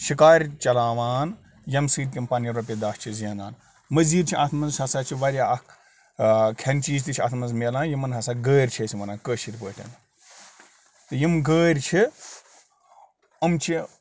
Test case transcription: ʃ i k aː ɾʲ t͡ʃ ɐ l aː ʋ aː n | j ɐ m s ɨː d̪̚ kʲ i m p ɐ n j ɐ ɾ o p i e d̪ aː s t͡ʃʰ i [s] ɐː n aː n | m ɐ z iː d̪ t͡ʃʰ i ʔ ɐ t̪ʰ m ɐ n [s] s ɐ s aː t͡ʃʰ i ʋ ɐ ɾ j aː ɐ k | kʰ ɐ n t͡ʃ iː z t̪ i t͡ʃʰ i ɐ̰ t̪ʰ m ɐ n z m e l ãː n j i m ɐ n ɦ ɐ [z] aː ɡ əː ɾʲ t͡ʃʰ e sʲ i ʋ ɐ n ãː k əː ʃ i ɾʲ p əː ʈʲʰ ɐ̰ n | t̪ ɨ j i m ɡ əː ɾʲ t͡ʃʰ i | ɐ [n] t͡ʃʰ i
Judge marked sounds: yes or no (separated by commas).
no, no, no, no